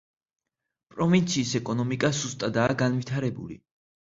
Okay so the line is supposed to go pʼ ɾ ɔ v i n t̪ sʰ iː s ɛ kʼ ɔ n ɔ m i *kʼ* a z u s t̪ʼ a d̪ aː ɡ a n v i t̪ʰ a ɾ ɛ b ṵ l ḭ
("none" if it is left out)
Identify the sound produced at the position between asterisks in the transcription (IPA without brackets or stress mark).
kʼ